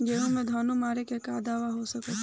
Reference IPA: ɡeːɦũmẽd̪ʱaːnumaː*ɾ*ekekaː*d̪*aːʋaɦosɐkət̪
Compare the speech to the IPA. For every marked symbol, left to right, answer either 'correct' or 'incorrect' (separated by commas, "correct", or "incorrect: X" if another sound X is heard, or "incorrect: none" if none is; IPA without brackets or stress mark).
correct, correct